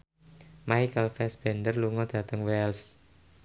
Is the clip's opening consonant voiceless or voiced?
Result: voiced